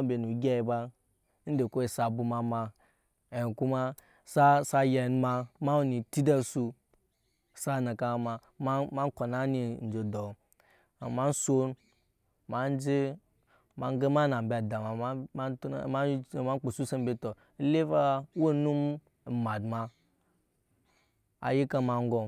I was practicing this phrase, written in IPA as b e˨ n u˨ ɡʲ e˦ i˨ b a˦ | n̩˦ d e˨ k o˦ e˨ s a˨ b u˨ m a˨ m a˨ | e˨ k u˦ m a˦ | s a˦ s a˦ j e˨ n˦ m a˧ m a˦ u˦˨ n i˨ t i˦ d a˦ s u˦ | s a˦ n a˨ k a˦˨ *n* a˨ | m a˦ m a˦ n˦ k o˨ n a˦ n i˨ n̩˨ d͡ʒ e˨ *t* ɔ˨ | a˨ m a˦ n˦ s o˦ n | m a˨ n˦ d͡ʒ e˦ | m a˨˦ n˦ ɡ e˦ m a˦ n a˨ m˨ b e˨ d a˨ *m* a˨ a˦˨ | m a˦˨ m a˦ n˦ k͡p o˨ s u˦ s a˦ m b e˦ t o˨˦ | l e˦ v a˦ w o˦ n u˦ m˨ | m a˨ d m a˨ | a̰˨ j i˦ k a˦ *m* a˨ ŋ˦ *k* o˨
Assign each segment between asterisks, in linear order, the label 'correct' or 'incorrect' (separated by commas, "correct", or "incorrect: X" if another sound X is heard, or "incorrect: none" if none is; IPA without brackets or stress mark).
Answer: incorrect: m, incorrect: d, correct, correct, incorrect: ɡ